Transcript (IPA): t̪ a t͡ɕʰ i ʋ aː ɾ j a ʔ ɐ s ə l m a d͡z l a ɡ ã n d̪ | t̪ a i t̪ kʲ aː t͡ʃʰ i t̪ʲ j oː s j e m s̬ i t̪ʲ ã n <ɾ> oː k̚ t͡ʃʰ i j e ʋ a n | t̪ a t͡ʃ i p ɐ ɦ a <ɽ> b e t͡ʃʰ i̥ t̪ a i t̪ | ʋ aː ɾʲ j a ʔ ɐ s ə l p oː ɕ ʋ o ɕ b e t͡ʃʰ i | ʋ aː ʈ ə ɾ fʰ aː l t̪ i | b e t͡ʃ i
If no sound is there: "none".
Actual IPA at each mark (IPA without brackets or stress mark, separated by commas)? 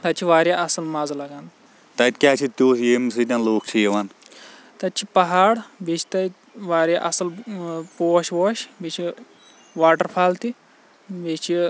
l, ɽ